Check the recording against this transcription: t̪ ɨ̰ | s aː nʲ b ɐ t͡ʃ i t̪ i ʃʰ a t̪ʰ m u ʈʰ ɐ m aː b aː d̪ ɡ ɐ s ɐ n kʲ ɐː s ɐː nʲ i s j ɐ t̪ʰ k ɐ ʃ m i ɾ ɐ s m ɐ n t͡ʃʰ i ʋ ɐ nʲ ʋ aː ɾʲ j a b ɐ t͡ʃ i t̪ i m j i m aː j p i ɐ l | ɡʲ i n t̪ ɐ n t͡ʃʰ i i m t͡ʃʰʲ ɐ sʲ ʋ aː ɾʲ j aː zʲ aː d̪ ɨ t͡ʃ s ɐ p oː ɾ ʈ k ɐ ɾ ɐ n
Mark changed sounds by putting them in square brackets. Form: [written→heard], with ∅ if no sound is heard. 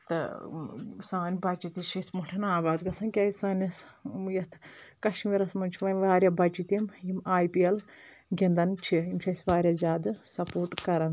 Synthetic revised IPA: t̪ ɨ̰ | s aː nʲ b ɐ t͡ʃ i t̪ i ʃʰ [a→i] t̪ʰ m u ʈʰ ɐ [m→n] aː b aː d̪ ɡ ɐ s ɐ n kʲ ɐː s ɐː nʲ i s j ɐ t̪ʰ k ɐ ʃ m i ɾ ɐ s m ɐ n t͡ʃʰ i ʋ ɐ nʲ ʋ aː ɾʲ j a b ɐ t͡ʃ i t̪ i m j i m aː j p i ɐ l | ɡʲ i n [t̪→d̪] ɐ n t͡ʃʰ i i m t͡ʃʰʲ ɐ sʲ ʋ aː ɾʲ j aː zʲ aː d̪ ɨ [t͡ʃ→∅] s ɐ p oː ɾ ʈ k ɐ ɾ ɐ n